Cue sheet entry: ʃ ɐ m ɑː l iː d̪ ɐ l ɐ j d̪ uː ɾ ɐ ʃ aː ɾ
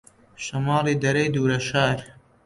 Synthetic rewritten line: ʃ ɐ m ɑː l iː d̪ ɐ ɾ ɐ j d̪ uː ɾ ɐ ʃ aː ɾ